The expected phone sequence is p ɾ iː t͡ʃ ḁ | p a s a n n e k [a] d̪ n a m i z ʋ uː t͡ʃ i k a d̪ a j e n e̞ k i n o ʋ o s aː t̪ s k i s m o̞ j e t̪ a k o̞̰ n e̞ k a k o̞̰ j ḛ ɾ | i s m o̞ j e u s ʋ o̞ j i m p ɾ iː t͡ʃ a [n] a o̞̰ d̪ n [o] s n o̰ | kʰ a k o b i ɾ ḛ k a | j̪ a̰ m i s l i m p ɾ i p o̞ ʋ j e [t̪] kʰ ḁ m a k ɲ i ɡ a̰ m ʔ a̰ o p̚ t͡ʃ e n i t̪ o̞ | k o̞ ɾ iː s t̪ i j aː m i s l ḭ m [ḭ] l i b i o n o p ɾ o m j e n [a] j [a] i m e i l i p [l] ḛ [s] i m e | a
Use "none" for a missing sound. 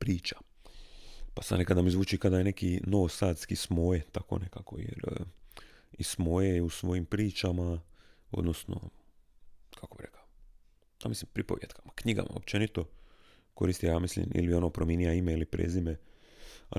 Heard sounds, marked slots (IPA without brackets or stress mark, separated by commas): a, m, o, t̪, ḭ, i, a, ɾ, z